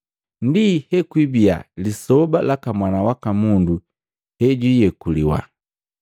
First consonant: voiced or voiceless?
voiced